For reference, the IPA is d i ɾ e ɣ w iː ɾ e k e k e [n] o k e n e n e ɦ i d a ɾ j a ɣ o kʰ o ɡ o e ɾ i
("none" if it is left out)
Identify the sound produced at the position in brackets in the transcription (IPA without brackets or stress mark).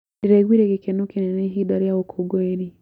n